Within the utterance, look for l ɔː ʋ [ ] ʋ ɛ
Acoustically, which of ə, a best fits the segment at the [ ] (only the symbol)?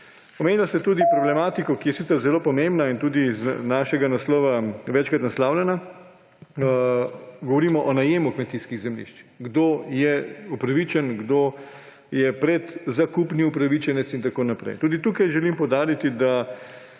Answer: a